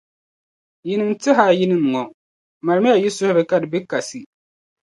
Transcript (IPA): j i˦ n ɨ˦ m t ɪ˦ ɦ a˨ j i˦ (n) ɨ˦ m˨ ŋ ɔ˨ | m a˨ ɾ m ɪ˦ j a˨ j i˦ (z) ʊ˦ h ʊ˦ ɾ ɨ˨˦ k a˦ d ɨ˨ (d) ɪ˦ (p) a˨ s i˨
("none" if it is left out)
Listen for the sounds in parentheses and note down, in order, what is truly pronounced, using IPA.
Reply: n, s, b, k

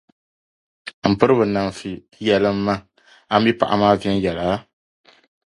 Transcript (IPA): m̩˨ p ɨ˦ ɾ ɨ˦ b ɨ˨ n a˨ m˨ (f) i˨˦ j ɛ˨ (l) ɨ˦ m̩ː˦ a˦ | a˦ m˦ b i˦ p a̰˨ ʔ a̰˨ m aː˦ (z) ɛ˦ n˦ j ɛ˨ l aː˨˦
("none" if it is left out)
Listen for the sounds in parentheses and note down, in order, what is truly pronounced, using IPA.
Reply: f, l, v

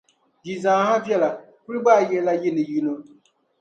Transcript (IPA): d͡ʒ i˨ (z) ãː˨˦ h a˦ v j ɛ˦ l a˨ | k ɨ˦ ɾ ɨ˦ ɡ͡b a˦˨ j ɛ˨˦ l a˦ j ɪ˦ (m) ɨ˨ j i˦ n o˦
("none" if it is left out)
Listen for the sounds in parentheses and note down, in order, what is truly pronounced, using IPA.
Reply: z, n

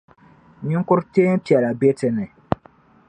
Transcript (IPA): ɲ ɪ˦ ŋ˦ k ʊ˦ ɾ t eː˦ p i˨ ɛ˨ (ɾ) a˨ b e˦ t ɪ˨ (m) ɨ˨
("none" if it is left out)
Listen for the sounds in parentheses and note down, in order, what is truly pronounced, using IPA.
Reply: l, n

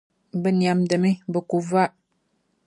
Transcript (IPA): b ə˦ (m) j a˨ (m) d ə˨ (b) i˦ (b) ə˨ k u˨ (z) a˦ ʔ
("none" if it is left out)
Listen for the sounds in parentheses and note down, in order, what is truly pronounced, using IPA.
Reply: n, m, m, b, v

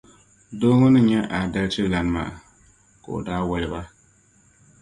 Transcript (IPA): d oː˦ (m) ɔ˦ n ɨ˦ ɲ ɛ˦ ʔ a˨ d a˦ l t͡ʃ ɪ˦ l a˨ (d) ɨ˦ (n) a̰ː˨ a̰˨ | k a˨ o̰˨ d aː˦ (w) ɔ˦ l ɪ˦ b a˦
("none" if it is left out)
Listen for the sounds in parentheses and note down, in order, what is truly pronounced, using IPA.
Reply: ŋ, n, m, w

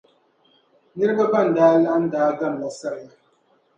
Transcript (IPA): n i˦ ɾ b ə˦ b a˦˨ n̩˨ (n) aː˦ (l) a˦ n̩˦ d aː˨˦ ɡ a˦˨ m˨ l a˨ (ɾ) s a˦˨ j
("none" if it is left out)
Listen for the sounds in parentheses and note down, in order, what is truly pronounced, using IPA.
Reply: d, l, none

